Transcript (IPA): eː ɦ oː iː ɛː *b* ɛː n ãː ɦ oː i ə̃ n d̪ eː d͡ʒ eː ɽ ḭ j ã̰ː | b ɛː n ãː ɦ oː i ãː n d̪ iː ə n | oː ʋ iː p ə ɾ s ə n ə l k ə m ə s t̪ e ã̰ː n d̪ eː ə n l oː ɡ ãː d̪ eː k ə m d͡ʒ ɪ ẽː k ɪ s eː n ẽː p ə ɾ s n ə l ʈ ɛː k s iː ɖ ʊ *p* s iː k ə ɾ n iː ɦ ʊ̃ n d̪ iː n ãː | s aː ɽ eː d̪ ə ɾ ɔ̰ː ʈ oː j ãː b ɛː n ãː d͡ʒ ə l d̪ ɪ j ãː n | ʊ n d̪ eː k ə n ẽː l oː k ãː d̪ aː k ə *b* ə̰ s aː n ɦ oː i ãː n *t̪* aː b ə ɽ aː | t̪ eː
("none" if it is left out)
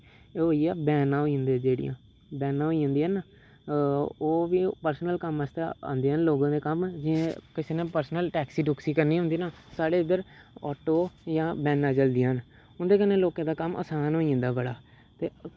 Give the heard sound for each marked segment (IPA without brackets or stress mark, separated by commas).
b, k, m, d̪